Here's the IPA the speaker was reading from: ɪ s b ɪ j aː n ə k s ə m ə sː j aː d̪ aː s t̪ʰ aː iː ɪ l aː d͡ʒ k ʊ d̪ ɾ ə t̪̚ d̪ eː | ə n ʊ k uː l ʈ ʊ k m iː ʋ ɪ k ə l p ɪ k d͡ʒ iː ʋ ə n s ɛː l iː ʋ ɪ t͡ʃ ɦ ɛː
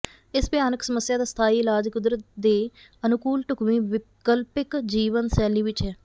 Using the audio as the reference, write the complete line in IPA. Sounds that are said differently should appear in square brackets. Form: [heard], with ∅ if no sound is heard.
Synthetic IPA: ɪ s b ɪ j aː n ə k s ə m ə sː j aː d̪ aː s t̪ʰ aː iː ɪ l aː d͡ʒ k ʊ d̪ ɾ ə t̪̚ d̪ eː | ə n ʊ k uː l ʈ ʊ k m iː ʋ ɪ k ə l p ɪ k d͡ʒ iː ʋ ə n s ɛː l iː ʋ ɪ t͡ʃ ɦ ɛː